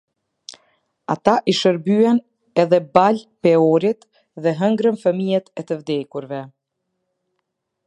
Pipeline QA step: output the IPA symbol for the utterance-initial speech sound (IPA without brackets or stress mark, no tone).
a